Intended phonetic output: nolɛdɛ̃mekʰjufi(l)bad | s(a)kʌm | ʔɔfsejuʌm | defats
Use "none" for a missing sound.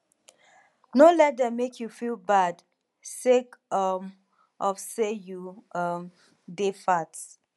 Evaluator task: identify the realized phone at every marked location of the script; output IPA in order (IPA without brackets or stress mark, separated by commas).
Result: l, e